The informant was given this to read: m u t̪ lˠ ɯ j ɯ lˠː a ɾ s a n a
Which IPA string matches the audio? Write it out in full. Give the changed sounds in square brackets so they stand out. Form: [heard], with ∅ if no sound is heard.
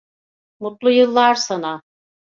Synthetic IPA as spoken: m u t̪ lˠ [u] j ɯ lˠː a ɾ s a n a